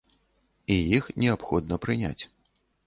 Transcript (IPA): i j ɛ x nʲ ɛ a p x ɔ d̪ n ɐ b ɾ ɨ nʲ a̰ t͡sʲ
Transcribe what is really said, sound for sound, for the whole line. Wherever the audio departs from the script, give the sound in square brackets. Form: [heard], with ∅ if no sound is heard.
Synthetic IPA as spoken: i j [i] x nʲ ɛ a p x ɔ d̪ n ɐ [p] ɾ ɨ nʲ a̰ t͡sʲ